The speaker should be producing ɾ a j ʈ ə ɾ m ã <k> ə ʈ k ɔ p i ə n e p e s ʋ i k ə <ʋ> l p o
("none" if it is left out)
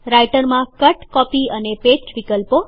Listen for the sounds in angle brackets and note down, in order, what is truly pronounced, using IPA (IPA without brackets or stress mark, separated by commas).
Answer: k, none